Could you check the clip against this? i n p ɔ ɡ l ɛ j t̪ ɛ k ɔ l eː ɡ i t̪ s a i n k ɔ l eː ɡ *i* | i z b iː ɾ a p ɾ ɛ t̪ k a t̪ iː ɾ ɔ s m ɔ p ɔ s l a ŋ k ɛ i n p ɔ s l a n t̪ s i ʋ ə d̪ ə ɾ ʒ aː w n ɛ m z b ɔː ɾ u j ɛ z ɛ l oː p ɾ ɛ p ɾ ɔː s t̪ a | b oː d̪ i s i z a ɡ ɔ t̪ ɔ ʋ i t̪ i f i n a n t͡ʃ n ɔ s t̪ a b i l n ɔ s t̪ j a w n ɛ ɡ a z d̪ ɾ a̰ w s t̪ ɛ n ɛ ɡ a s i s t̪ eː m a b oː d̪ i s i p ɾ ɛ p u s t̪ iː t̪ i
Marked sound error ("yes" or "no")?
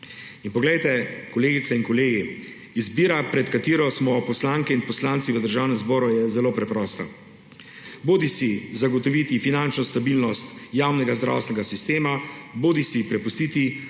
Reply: no